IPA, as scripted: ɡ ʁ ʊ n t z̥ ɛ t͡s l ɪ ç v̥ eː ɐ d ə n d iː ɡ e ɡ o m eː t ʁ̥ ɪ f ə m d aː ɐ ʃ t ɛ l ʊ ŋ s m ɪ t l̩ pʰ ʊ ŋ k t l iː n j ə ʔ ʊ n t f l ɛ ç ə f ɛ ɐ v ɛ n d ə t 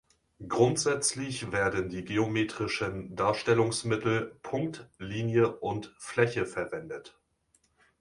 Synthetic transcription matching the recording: ɡ ʁ ʊ n t z̥ ɛ t͡s l ɪ ç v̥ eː ɐ d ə n d iː ɡ e o m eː t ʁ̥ ɪ ʃ ə n d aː ɐ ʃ t ɛ l ʊ ŋ s m ɪ t l̩ pʰ ʊ ŋ k t l iː n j ə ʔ ʊ n t f l ɛ ç ə f ɛ ɐ v ɛ n d ə t

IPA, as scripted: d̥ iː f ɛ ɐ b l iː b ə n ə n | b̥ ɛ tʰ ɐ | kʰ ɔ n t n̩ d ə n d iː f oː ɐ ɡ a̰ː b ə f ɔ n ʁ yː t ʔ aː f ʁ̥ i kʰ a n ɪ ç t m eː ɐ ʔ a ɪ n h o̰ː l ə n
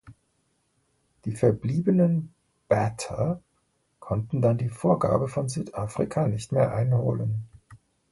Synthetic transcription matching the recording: d̥ iː f ɛ ɐ b l iː b ə n ə n | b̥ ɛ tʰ ɐ | kʰ ɔ n t n̩ d a n d iː f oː ɐ ɡ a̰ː b ə f ɔ n z yː t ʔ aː f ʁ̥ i kʰ a n ɪ ç t m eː ɐ ʔ a ɪ n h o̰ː l ə n

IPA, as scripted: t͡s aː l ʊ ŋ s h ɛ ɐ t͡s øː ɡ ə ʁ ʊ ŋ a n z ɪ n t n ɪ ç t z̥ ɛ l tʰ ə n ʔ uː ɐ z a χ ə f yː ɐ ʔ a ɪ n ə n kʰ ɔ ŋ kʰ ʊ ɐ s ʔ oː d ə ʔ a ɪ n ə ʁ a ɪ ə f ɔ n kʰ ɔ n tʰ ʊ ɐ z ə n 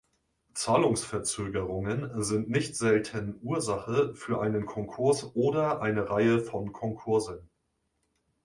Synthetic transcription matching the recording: t͡s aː l ʊ ŋ s f ɛ ɐ t͡s øː ɡ ə ʁ ʊ ŋ ə n z ɪ n t n ɪ ç t z̥ ɛ l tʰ ə n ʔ uː ɐ z a χ ə f yː ɐ ʔ a ɪ n ə n kʰ ɔ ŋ kʰ ʊ ɐ s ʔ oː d ɐ ʔ a ɪ n ə ʁ a ɪ ə f ɔ n kʰ ɔ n kʰ ʊ ɐ z ə n

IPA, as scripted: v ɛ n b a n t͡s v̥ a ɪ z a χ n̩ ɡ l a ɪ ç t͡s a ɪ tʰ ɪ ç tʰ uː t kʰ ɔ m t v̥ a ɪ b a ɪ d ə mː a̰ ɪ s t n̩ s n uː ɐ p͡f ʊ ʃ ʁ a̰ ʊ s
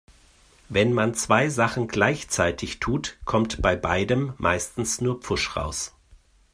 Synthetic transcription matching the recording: v ɛ n m a n t͡s v̥ a ɪ z a χ n̩ ɡ l a ɪ ç t͡s a ɪ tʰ ɪ ç tʰ uː t kʰ ɔ m t b̥ a ɪ b a ɪ d ə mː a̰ ɪ s t n̩ s n uː ɐ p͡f ʊ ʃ ʁ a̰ ʊ s

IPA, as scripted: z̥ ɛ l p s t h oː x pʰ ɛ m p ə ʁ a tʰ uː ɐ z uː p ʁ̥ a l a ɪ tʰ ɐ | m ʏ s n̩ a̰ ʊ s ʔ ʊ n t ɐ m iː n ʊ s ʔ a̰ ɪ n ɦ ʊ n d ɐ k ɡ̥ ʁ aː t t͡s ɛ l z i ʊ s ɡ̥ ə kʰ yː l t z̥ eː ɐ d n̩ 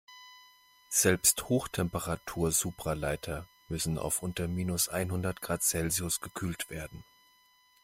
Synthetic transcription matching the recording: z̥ ɛ l p s t h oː x tʰ ɛ m p ə ʁ a tʰ uː ɐ z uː p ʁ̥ a l a ɪ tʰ ɐ | m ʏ s n̩ a̰ ʊ f ʔ ʊ n t ɐ m iː n ʊ s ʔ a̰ ɪ n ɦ ʊ n d ɐ t ɡ̥ ʁ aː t t͡s ɛ l z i ʊ s ɡ̥ ə kʰ yː l t v̥ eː ɐ d n̩

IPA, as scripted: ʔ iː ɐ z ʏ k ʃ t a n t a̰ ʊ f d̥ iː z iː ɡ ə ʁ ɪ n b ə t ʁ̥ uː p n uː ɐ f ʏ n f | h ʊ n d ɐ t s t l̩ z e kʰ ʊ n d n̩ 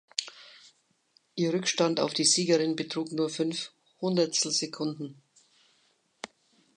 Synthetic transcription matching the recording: ʔ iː ɐ ʁ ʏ k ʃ t a n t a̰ ʊ f d̥ iː z iː ɡ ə ʁ ɪ n b ə t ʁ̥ uː k n uː ɐ f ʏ n f | h ʊ n d ɐ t s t l̩ z e kʰ ʊ n d n̩

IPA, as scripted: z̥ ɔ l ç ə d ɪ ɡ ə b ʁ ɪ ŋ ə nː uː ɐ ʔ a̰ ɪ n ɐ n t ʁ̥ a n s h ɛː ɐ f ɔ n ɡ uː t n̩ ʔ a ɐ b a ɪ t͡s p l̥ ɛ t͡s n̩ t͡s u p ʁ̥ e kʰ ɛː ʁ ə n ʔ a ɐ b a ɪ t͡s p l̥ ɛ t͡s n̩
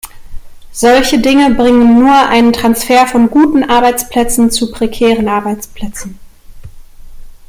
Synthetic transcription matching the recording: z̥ ɔ l ç ə d ɪ ŋ ə b ʁ ɪ ŋ ə nː uː ɐ ʔ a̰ ɪ n ə n t ʁ̥ a n s f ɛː ɐ f ɔ n ɡ uː t n̩ ʔ a ɐ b a ɪ t͡s p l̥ ɛ t͡s n̩ t͡s u p ʁ̥ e kʰ ɛː ʁ ə n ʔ a ɐ b a ɪ t͡s p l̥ ɛ t͡s n̩

